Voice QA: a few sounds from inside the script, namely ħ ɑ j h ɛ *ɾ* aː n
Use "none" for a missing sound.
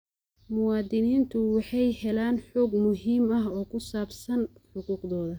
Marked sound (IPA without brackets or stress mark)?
l